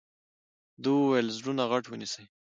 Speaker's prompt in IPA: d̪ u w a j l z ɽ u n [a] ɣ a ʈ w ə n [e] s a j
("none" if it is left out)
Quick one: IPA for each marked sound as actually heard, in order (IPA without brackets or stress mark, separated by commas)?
a, i